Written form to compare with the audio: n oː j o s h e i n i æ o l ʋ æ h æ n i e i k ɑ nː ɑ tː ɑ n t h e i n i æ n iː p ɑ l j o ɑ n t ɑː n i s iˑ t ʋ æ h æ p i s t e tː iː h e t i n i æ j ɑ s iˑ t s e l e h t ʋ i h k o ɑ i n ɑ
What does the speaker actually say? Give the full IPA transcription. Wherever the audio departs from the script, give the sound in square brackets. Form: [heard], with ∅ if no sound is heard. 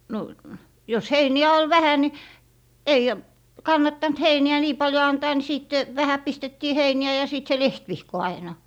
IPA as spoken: n [o] j o s h e i n i æ o l ʋ æ h æ n i e i k ɑ nː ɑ tː ɑ n t h e i n i æ n iː p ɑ l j o ɑ n t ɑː n i s iˑ t ʋ æ h æ p i s t e tː iː h e [∅] i n i æ j ɑ s iˑ t s e l e h t ʋ i h k o ɑ i n ɑ